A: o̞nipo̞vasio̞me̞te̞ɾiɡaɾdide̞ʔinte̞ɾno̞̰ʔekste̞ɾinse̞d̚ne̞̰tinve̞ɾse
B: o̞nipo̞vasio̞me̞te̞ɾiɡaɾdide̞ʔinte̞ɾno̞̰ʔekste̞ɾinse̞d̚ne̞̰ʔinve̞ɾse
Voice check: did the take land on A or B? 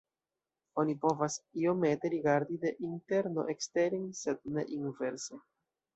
B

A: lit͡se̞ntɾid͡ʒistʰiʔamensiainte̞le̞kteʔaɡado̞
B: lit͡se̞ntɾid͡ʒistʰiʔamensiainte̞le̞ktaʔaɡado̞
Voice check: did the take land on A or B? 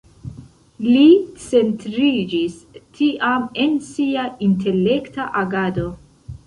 B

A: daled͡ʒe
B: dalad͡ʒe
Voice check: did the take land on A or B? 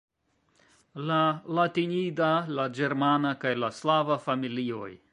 B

